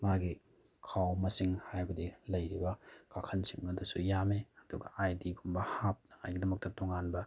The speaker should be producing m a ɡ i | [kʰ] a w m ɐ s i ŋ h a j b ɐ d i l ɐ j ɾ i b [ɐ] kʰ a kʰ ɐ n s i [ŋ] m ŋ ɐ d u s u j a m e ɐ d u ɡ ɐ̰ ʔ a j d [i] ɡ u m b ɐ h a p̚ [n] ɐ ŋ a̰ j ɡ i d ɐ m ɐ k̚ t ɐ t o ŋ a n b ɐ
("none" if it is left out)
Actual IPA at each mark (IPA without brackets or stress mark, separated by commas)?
kʰ, ɐ, none, i, n